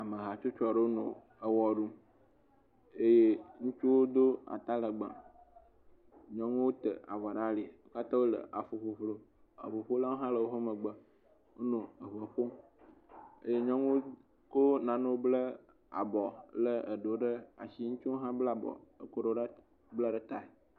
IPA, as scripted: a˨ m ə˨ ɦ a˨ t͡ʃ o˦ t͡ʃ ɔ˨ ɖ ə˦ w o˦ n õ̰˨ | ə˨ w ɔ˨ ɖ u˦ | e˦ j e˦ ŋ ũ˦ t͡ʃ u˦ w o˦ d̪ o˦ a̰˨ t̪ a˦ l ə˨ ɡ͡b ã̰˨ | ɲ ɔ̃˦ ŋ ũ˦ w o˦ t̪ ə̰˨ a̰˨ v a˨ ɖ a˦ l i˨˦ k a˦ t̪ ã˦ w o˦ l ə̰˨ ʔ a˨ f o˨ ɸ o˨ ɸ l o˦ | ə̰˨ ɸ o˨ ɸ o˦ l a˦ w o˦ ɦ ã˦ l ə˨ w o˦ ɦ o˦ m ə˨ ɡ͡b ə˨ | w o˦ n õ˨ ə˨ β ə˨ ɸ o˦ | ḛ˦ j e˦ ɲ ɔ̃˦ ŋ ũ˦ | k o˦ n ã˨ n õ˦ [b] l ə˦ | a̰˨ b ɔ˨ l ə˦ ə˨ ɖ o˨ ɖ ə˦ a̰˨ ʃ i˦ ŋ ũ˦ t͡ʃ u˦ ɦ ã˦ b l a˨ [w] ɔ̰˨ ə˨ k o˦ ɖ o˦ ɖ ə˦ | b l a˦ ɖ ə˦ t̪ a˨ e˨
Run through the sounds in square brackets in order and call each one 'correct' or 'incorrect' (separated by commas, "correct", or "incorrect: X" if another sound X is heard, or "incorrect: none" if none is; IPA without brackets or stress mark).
correct, incorrect: b